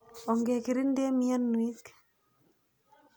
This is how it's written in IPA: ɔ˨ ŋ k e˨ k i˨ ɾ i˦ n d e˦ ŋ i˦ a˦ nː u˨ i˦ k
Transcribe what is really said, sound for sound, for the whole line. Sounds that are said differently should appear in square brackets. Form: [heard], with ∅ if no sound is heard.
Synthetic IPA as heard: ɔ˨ ŋ [ɡ] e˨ k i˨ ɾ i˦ n d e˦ [m] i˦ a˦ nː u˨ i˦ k